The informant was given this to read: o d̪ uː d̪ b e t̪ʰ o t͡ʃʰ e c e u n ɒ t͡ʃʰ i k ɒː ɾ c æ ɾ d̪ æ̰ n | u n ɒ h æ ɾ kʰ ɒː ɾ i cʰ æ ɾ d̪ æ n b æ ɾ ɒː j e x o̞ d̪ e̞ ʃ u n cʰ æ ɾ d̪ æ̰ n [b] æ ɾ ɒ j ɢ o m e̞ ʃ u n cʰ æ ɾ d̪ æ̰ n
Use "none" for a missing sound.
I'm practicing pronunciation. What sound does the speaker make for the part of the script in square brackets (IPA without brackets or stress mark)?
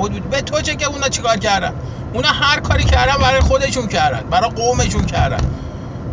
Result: b